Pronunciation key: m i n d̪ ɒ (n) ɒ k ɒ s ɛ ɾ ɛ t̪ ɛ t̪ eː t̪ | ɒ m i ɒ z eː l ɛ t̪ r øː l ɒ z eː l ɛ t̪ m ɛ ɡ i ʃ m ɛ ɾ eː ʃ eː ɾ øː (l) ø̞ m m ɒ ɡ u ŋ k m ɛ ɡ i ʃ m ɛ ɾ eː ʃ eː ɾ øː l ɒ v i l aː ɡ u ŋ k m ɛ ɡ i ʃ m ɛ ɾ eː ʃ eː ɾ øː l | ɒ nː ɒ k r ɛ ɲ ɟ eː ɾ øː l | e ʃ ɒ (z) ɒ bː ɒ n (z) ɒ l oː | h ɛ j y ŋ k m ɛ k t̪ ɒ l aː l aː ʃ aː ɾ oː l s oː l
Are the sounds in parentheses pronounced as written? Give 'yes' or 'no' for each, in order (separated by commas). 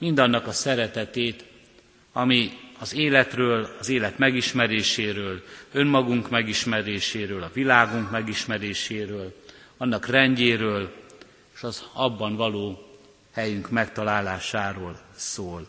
no, yes, yes, no